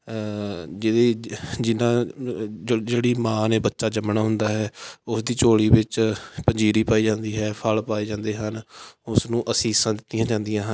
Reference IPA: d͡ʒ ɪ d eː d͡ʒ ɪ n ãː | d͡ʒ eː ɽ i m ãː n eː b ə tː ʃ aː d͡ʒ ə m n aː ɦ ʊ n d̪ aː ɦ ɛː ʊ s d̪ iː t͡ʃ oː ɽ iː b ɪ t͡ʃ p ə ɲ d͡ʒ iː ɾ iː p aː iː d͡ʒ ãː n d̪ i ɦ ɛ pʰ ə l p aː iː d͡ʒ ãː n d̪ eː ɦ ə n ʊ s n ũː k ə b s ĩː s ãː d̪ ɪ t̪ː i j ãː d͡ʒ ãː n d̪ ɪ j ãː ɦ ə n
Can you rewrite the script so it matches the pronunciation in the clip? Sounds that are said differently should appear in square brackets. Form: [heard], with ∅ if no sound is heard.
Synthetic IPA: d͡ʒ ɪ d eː d͡ʒ ɪ n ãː | d͡ʒ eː ɽ [iː] m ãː n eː b ə tː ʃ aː d͡ʒ ə m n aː ɦ ʊ n d̪ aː ɦ ɛː ʊ s d̪ iː t͡ʃ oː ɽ iː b ɪ t͡ʃ p ə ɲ d͡ʒ iː ɾ iː p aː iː d͡ʒ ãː n d̪ [iː] ɦ [ɛː] pʰ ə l p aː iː d͡ʒ ãː n d̪ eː ɦ ə n ʊ s n ũː [ʔ] ə [∅] s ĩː s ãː d̪ ɪ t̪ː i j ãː d͡ʒ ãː n d̪ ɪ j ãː ɦ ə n